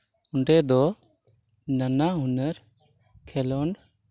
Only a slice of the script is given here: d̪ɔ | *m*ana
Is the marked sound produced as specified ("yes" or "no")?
no